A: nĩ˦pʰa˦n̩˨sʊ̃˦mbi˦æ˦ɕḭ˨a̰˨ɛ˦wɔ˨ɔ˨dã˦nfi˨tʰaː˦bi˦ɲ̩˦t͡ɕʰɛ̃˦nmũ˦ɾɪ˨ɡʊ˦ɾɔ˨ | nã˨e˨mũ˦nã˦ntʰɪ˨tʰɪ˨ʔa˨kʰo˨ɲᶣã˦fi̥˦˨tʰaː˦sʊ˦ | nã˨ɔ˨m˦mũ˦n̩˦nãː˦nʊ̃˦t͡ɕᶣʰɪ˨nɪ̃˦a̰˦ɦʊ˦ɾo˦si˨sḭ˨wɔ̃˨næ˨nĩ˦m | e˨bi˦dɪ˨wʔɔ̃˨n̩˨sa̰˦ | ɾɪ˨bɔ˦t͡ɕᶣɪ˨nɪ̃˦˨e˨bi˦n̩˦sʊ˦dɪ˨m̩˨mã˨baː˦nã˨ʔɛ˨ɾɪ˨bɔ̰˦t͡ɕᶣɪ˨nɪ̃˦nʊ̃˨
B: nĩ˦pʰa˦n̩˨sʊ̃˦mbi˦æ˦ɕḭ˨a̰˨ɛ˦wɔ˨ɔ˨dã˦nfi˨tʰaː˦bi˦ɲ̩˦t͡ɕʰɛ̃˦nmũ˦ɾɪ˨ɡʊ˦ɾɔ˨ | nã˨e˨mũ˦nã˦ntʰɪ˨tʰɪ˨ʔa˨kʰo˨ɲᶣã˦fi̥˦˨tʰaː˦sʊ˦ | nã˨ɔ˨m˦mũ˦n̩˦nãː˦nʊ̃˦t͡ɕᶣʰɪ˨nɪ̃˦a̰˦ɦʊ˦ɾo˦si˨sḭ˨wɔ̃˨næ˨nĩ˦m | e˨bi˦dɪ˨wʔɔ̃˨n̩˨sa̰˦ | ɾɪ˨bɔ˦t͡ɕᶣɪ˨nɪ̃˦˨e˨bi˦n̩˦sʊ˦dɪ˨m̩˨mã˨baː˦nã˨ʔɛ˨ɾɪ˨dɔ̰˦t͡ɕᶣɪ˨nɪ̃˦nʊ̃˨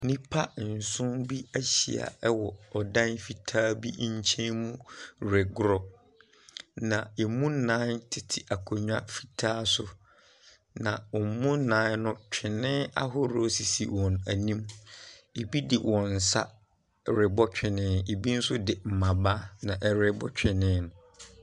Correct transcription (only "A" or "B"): A